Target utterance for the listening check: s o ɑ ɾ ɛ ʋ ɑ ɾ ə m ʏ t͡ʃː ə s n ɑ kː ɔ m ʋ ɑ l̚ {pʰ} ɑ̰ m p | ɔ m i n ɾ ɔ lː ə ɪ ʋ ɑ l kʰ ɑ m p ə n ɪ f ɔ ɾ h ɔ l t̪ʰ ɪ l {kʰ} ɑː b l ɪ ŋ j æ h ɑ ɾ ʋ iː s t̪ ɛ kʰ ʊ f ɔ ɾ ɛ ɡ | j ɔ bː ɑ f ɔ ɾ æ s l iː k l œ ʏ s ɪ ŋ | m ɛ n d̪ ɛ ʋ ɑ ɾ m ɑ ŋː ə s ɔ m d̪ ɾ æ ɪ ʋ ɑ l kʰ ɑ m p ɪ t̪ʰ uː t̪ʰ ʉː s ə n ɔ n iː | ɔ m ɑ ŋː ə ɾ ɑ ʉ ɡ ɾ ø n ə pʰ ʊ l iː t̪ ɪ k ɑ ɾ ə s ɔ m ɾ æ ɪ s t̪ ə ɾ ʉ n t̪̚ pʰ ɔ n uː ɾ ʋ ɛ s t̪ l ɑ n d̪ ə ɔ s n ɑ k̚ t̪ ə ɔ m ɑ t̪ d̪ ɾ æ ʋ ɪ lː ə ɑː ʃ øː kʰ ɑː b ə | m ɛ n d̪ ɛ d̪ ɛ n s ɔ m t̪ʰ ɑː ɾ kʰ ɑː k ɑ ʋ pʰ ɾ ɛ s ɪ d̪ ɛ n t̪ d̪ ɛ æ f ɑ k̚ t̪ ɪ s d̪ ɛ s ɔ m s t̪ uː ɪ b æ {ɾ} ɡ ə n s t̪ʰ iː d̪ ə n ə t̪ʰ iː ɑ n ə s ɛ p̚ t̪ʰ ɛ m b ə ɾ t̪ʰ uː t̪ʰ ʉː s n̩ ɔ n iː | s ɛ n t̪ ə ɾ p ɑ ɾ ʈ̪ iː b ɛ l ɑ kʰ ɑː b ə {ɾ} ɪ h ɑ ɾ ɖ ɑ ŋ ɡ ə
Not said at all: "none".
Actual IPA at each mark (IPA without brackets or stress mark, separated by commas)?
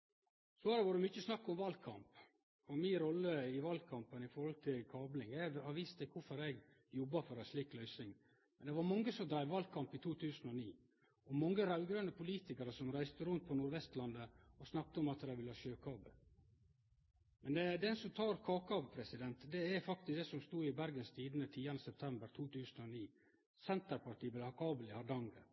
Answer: kʰ, kʰ, ɾ, l